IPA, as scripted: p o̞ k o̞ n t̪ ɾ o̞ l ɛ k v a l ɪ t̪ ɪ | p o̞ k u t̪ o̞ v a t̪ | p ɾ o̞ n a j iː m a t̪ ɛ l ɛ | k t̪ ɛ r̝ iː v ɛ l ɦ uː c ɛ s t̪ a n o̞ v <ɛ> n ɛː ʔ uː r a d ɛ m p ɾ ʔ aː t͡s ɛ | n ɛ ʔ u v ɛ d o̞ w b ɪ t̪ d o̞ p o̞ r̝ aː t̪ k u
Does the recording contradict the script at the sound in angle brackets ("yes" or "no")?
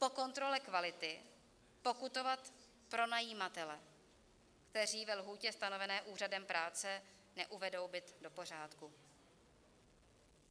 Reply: no